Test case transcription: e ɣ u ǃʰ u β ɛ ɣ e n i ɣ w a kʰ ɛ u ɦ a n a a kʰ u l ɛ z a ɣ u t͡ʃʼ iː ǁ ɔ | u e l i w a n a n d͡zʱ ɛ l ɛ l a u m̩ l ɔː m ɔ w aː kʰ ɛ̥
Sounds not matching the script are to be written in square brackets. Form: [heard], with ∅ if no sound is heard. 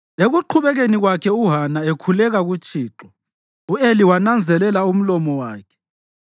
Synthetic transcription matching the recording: e ɣ u ǃʰ u β ɛ ɣ e n i ɣ w a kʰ ɛ u ɦ a n a [e] kʰ u l ɛ [ɣ] a ɣ u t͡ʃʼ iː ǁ ɔ | u e l i w a n a n d͡zʱ ɛ l ɛ l a u m̩ l [ɔ] m ɔ w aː kʰ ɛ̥